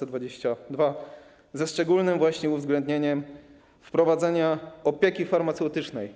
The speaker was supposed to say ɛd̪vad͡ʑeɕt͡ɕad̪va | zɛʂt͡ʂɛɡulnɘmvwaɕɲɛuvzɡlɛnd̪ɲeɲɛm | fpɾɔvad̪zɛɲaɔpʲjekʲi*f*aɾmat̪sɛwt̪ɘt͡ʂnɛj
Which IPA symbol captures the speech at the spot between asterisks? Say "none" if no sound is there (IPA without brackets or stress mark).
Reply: f